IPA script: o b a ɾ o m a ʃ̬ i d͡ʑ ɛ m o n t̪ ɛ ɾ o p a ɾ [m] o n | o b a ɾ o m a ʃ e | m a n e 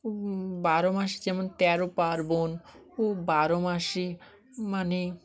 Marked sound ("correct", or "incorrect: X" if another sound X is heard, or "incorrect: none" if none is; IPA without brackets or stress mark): incorrect: b